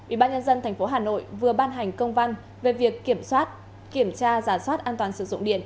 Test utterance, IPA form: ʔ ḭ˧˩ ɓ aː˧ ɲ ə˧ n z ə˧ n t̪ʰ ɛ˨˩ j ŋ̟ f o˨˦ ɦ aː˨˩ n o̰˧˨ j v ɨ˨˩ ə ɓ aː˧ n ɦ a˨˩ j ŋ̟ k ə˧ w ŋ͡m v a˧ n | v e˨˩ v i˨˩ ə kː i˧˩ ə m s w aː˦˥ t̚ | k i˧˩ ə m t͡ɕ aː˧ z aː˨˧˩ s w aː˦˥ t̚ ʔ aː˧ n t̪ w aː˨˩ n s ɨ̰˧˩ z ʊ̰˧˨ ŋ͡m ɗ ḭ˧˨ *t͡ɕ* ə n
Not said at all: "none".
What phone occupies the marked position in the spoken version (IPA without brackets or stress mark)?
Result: none